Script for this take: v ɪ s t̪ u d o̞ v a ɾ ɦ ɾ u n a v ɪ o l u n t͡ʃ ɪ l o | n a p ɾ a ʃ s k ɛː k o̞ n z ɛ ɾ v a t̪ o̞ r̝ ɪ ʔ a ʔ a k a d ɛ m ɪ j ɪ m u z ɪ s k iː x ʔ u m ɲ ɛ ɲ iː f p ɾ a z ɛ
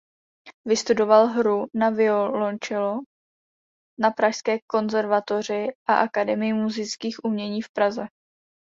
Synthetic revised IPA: v ɪ s t̪ u d o̞ v a l ɦ ɾ u n a v ɪ o l o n t͡ʃ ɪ l o | n a p ɾ a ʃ s k ɛː k o̞ n z ɛ ɾ v a t̪ o̞ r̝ ɪ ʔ a ʔ a k a d ɛ m ɪ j ɪ m u z ɪ t͡s k iː x ʔ u m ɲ ɛ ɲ iː f p ɾ a z ɛ